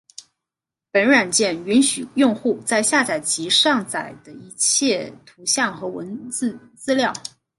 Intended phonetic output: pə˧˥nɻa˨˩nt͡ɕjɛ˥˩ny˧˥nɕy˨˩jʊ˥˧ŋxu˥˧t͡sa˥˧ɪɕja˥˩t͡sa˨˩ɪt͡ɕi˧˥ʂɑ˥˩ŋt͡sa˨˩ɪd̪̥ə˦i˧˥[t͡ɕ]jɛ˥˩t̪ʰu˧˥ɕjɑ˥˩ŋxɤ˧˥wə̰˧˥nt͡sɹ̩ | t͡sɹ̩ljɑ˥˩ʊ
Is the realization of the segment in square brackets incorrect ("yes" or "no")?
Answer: yes